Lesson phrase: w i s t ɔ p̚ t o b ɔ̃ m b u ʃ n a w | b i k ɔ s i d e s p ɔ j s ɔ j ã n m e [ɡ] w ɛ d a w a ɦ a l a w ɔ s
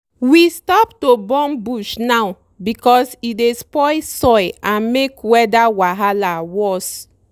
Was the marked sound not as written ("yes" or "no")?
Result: yes